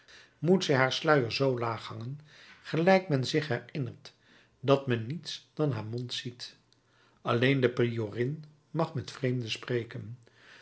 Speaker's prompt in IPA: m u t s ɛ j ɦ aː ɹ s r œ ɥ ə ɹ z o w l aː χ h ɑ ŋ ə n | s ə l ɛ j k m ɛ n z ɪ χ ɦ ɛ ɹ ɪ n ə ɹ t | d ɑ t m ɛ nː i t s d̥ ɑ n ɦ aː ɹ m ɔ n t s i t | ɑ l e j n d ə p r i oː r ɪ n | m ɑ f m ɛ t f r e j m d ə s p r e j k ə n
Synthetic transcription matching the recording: m u t s ɛ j ɦ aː ɹ s l œ ɥ ə ɹ z o w l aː χ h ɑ ŋ ə n | χ ə l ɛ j k m ɛ n z ɪ χ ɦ ɛ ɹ ɪ n ə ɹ t | d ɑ t m ɛ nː i t s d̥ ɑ n ɦ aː ɹ m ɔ n t s i t | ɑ l e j n d ə p r i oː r ɪ n | m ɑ χ m ɛ t f r e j m d ə s p r e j k ə n